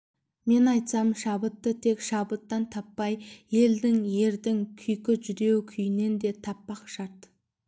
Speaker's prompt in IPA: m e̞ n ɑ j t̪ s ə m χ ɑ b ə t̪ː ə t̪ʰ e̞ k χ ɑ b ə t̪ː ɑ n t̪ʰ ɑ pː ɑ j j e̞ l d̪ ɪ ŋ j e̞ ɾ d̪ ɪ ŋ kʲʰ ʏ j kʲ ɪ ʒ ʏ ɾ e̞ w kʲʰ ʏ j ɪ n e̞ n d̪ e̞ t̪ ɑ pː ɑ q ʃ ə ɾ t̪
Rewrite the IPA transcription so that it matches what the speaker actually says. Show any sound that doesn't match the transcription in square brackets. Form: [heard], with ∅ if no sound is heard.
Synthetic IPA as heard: m e̞ n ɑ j t̪ s [ɑ] m [ʃ] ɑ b ə t̪ː ə t̪ʰ e̞ k [ʃ] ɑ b ə t̪ː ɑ n t̪ʰ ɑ pː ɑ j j e̞ l d̪ ɪ ŋ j e̞ ɾ d̪ ɪ ŋ kʲʰ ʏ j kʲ ɪ ʒ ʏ ɾ e̞ w kʲʰ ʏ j ɪ n e̞ n d̪ e̞ [t̪ʰ] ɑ pː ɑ q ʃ [ɑ] ɾ t̪